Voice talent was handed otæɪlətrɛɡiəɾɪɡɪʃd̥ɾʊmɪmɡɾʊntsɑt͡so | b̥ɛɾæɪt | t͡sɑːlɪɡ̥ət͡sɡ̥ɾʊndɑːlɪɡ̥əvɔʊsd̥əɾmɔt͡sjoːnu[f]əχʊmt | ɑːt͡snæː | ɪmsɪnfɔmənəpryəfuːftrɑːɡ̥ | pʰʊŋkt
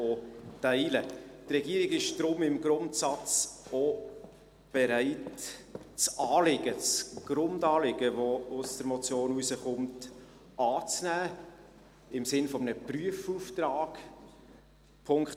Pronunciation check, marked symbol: incorrect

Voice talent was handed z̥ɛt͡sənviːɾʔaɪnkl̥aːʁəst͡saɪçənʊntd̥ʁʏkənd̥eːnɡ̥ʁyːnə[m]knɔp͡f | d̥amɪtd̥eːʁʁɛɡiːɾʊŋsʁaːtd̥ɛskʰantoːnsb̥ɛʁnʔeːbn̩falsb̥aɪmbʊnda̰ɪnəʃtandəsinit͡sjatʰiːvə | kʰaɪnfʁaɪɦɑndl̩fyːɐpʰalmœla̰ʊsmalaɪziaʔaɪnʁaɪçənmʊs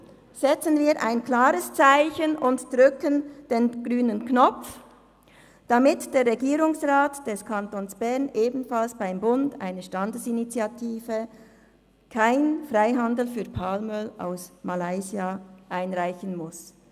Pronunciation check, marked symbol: incorrect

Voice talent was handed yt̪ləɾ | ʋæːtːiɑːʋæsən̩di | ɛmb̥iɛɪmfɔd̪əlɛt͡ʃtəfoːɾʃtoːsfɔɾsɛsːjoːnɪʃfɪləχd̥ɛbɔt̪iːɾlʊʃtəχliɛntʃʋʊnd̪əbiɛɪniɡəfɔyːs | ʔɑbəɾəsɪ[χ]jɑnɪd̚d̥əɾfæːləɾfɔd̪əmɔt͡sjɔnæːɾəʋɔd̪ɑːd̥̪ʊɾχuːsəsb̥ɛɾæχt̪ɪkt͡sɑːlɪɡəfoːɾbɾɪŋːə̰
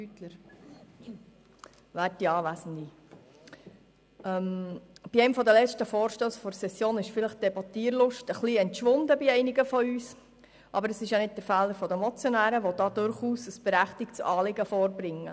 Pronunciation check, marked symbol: incorrect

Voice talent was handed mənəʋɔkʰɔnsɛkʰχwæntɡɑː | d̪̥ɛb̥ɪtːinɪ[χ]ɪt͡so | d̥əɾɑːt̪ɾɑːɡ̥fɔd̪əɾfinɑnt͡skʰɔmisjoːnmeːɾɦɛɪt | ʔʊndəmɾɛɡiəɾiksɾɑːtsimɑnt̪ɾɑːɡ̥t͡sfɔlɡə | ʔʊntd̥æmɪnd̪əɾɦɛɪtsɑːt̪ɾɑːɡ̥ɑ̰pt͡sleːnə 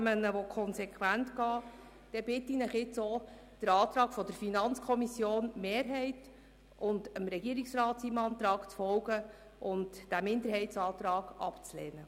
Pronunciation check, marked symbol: correct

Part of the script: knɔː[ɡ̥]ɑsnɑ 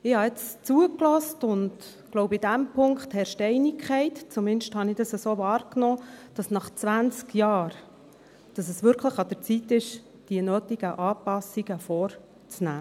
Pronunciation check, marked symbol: incorrect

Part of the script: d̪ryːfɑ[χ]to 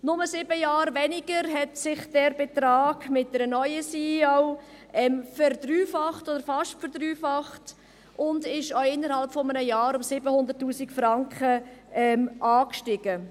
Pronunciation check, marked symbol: correct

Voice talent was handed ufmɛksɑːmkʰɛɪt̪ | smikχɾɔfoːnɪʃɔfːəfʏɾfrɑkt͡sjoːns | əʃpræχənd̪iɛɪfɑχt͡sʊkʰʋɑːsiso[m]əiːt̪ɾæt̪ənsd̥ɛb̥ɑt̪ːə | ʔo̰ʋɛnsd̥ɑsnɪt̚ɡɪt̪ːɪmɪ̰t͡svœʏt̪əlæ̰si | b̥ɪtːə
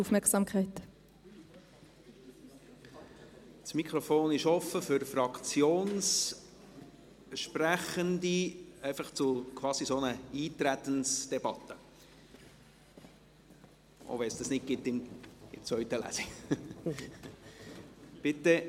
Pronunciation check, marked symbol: incorrect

